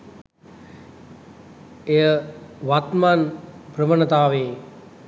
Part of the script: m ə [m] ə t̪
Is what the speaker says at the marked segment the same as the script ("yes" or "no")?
no